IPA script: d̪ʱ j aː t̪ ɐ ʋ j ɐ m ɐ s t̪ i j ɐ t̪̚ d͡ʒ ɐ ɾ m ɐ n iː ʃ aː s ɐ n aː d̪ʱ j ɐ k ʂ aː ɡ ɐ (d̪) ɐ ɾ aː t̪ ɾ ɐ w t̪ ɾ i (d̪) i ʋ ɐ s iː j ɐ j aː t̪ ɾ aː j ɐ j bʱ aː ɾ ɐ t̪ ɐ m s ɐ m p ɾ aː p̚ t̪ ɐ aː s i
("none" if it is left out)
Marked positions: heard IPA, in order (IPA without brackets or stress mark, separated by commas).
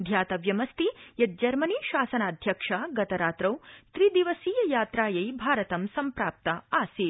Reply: t̪, d̪